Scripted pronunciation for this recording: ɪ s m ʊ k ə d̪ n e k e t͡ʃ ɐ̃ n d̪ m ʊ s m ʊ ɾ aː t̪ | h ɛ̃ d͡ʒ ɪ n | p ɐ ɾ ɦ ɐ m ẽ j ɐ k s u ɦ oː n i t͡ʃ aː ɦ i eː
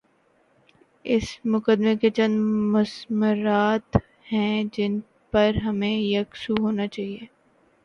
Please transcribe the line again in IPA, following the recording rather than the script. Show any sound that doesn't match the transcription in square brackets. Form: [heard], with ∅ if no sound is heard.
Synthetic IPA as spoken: ɪ s m ʊ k ə d̪ [m] e k e t͡ʃ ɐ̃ n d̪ m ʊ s m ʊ ɾ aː t̪ | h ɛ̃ d͡ʒ ɪ n | p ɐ ɾ ɦ ɐ m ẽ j ɐ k s u ɦ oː n [a] t͡ʃ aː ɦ i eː